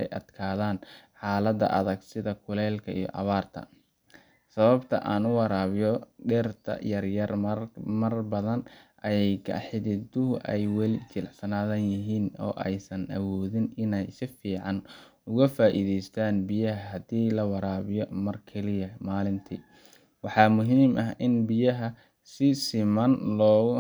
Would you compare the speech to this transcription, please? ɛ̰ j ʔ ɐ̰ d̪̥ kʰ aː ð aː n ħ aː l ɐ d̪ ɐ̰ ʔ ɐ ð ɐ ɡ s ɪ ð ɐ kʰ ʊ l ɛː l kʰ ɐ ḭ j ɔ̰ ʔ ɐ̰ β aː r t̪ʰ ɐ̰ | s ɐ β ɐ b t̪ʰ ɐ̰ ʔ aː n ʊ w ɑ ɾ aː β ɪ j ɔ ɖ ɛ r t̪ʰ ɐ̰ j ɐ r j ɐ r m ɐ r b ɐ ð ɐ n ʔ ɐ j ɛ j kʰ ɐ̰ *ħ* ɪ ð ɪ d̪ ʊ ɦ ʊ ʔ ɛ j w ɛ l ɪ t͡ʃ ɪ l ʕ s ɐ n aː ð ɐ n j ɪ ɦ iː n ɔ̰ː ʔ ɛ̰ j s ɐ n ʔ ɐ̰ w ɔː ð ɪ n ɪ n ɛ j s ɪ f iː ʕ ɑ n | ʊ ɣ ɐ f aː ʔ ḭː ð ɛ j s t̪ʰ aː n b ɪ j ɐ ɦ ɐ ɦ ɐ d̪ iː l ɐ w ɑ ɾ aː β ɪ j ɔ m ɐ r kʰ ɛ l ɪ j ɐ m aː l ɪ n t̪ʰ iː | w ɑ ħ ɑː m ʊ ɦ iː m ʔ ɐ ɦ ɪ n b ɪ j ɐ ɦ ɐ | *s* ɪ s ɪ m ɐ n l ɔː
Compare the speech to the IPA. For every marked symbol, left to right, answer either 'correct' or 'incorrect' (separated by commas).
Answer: correct, correct